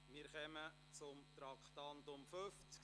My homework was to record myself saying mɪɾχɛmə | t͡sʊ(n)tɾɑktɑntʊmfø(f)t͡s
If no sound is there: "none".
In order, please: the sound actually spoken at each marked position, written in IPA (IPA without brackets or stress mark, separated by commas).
m, f